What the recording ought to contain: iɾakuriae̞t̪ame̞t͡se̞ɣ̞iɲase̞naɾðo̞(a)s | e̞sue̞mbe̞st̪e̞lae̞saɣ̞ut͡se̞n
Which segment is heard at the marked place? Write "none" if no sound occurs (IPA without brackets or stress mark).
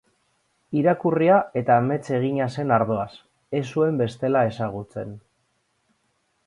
a